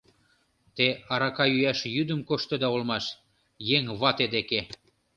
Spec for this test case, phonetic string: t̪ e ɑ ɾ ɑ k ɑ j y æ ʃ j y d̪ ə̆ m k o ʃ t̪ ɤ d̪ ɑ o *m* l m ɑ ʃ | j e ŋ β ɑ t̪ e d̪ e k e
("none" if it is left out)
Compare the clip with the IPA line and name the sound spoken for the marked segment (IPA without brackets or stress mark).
none